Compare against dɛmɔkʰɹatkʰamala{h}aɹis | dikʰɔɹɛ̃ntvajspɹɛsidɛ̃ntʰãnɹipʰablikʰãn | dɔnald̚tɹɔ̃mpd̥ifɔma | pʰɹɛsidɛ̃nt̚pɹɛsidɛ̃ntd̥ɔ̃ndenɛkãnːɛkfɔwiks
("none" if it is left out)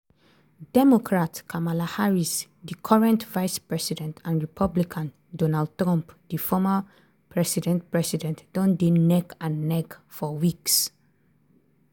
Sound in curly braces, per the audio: h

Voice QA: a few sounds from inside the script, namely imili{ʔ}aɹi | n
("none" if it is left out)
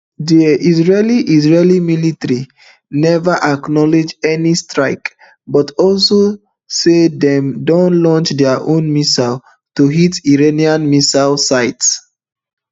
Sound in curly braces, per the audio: t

